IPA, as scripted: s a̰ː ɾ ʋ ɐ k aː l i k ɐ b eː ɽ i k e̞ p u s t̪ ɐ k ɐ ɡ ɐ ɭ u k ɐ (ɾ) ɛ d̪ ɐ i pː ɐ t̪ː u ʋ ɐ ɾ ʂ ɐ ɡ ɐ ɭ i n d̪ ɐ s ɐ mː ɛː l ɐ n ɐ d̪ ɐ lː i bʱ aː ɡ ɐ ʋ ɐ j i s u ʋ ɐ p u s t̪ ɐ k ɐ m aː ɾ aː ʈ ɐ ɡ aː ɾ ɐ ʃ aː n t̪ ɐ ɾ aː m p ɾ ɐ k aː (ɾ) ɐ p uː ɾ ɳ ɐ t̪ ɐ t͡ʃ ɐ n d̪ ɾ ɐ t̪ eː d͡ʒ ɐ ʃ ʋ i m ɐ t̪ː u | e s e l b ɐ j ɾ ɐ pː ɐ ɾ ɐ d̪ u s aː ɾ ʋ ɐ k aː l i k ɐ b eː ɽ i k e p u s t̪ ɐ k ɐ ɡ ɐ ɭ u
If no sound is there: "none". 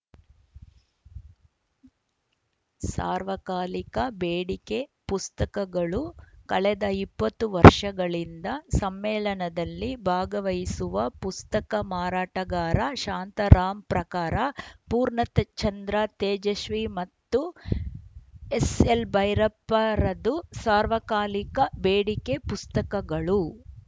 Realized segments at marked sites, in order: ɭ, ɾ

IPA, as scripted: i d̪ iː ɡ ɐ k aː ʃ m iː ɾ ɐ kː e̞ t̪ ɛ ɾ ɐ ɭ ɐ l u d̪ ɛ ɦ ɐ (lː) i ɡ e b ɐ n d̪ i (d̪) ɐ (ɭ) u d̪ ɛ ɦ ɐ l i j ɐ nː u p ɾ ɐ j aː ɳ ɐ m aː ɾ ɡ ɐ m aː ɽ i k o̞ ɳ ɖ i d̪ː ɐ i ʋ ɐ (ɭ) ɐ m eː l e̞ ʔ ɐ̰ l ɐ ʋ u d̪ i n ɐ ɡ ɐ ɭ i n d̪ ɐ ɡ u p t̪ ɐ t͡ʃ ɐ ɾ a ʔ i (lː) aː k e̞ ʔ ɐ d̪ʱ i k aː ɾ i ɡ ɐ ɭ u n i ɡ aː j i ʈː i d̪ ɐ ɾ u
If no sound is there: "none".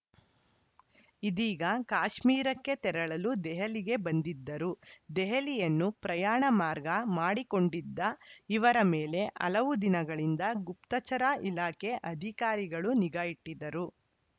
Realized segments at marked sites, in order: l, d̪ː, ɾ, ɾ, l

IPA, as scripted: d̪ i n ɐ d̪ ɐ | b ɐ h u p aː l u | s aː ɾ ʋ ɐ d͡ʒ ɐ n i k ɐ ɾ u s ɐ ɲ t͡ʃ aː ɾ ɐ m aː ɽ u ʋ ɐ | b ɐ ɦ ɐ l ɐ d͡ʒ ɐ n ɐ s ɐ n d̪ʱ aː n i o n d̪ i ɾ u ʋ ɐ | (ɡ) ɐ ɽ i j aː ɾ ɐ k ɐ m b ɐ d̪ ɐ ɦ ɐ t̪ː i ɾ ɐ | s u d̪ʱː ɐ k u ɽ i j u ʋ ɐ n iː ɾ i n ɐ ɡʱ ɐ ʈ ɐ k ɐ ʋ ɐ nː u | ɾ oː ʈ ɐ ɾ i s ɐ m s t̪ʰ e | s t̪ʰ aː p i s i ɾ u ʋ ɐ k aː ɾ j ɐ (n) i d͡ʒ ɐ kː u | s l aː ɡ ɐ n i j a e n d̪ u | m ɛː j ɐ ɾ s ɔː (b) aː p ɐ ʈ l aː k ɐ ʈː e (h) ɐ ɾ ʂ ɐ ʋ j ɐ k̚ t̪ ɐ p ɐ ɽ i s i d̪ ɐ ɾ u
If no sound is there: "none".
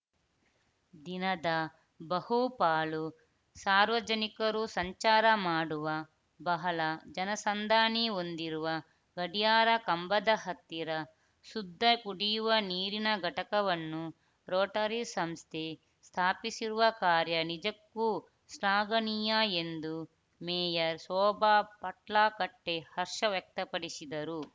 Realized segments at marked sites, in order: ɡ, n, b, h

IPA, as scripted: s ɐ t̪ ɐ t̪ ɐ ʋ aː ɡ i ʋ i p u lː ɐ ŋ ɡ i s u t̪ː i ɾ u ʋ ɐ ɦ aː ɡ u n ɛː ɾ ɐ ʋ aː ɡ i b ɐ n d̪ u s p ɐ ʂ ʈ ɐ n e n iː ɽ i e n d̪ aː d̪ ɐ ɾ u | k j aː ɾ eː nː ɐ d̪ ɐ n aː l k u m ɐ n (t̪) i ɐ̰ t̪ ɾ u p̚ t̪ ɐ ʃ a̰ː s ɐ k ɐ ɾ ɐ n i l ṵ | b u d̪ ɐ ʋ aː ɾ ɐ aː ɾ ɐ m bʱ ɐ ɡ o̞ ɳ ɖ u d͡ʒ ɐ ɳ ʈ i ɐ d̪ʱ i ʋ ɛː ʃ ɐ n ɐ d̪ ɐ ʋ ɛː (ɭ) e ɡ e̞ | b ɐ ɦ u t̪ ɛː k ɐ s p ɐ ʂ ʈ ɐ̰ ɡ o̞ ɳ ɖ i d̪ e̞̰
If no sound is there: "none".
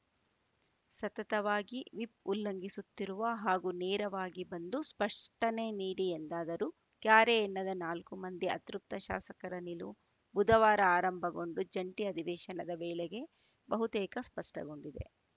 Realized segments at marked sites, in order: d̪, l

